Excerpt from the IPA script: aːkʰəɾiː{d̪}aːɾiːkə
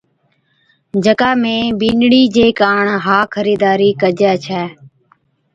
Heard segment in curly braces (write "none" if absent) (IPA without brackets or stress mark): d̪